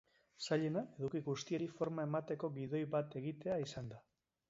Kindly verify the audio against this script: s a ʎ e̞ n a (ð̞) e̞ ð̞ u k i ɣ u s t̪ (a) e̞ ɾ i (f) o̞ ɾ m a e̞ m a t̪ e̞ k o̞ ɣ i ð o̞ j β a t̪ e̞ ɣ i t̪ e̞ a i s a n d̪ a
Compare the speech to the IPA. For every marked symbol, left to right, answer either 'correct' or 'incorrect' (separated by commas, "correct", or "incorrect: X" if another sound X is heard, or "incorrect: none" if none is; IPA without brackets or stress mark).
incorrect: none, incorrect: i, correct